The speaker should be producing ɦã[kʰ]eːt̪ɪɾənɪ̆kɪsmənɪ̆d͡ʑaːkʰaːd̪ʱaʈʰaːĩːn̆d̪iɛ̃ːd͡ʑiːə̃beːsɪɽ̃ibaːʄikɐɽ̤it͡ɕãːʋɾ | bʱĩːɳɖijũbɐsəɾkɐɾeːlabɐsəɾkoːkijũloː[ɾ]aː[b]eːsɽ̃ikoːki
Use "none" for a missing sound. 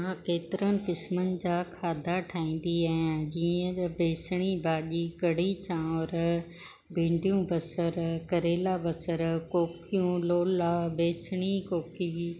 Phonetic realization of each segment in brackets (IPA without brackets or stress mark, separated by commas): k, l, b